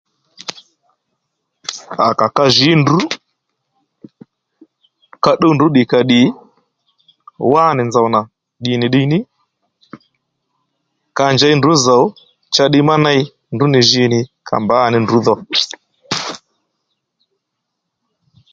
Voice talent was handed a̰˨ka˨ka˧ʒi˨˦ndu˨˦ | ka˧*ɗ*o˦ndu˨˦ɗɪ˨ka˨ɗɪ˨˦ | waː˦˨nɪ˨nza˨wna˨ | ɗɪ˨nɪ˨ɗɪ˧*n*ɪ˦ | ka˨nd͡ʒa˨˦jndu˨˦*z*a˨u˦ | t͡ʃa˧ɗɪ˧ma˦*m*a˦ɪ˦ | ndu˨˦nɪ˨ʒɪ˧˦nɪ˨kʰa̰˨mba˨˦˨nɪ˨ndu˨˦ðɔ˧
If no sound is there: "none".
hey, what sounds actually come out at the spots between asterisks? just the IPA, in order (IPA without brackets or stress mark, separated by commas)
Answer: ɗ, n, z, n